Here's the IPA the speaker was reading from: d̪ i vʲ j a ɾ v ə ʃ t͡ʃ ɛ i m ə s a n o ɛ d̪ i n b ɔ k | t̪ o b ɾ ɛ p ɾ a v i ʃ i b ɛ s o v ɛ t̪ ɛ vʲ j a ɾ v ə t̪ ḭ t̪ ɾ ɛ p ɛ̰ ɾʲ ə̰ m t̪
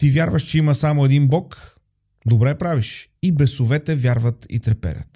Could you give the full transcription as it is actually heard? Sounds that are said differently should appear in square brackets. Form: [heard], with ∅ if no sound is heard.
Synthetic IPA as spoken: [t̪] i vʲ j a ɾ v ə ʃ t͡ʃ ɛ i m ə s a [m] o ɛ d̪ i n b ɔ k | [d̪] o b ɾ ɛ p ɾ a v i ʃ i b ɛ s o v ɛ t̪ ɛ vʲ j a ɾ v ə t̪ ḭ t̪ ɾ ɛ p ɛ̰ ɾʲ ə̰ [∅] t̪